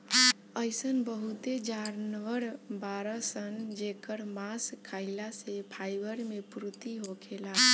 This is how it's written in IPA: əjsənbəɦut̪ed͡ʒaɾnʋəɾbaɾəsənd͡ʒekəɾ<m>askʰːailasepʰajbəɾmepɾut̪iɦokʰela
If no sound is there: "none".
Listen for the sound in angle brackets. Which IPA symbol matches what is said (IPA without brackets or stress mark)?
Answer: m